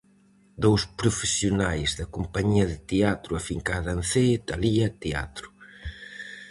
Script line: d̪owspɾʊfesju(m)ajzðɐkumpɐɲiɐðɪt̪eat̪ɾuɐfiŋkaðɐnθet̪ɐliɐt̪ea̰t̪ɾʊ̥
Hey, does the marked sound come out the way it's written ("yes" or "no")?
no